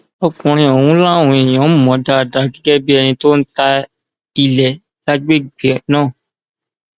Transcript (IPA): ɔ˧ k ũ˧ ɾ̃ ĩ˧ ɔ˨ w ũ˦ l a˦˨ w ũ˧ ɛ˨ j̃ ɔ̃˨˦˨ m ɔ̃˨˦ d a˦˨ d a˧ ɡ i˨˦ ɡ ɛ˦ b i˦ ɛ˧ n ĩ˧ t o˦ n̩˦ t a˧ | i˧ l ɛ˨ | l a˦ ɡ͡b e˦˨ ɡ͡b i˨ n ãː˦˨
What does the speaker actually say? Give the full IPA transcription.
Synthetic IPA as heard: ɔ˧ k ũ˧ ɾ̃ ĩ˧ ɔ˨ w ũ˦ l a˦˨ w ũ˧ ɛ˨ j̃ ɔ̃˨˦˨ m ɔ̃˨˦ d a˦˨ d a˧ ɡ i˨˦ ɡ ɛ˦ b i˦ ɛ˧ n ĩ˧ t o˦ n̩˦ t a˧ | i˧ l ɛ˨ | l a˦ ɡ͡b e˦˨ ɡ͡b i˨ n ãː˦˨